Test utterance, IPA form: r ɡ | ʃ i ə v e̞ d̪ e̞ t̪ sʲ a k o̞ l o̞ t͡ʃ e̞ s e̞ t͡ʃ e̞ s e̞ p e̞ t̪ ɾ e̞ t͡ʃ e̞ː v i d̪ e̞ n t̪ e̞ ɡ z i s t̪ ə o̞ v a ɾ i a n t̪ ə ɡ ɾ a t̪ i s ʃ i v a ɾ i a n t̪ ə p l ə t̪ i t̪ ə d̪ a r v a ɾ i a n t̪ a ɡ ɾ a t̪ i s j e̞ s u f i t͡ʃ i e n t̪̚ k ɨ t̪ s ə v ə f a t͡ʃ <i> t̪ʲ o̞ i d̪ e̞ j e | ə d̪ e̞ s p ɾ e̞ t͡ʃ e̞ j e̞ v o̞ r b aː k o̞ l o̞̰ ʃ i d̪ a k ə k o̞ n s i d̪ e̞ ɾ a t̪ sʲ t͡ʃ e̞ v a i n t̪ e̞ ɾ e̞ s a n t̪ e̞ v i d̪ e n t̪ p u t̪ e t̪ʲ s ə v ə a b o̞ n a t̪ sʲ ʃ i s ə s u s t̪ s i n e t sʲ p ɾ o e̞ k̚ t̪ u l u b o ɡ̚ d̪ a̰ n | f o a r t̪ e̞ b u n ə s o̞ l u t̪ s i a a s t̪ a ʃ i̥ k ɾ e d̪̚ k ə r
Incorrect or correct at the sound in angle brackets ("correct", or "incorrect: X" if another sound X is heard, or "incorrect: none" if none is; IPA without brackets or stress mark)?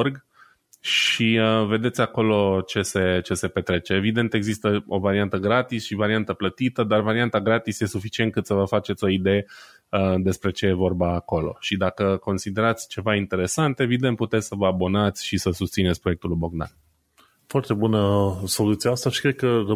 incorrect: e